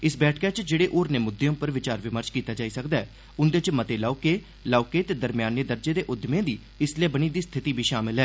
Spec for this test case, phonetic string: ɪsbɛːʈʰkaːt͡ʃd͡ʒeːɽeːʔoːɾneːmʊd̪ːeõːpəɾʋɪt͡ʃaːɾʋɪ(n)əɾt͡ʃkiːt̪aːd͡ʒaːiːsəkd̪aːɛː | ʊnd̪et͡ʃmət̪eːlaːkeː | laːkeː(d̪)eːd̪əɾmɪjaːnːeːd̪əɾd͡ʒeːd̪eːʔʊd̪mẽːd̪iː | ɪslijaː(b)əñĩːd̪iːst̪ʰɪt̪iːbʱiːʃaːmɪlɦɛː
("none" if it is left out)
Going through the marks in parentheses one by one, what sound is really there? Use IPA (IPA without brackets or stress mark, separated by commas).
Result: m, t̪, b